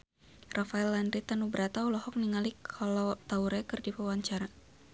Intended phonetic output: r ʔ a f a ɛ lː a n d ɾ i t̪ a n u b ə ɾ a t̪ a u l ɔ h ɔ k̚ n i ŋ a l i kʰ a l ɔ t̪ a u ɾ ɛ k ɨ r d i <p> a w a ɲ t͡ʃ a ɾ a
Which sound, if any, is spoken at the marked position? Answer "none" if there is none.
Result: p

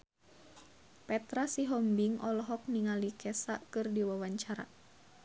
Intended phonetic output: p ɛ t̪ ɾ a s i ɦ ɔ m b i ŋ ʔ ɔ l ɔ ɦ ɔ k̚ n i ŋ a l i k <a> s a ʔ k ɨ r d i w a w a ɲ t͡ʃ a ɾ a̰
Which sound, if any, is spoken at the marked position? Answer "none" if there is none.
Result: ɛ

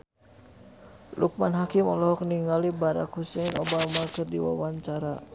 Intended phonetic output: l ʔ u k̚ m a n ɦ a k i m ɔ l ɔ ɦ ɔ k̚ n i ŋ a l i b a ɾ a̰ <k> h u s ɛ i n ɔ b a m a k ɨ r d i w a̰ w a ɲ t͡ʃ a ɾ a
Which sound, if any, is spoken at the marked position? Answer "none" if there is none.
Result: k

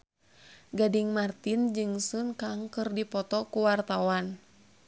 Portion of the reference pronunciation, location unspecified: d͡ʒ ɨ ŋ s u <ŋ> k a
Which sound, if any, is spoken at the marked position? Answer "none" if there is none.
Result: n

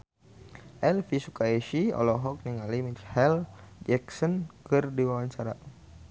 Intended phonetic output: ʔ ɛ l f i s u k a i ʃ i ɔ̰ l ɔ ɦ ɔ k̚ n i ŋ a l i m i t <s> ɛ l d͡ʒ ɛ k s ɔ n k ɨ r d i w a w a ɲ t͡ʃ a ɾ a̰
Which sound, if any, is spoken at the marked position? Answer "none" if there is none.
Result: h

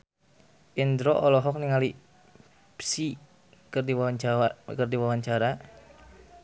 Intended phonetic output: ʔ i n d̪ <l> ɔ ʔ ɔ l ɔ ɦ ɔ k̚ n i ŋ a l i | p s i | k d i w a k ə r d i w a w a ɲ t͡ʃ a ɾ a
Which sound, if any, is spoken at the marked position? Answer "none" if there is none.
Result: ɾ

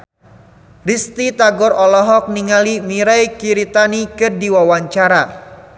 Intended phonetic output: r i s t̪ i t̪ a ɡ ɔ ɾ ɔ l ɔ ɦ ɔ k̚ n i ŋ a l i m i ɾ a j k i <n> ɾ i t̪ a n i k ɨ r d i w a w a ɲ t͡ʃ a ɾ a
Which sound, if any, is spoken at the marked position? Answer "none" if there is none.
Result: none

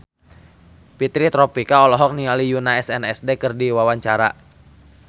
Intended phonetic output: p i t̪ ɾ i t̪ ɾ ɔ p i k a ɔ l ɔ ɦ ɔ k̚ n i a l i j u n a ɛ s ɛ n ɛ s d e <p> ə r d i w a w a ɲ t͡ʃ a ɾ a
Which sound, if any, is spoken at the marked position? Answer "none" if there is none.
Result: k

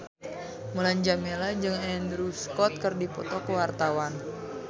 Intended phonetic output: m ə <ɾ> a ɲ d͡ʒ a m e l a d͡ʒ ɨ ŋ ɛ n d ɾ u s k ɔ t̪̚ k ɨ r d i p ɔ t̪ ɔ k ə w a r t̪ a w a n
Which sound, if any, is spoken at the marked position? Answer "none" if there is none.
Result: l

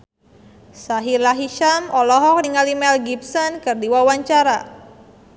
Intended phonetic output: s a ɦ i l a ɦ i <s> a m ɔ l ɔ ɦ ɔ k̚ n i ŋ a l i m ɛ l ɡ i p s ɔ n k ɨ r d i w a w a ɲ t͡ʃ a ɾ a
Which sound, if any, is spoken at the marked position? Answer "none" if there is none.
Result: ʃ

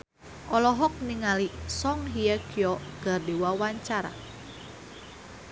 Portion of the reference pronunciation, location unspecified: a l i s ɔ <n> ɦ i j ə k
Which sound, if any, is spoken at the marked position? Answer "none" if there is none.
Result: ŋ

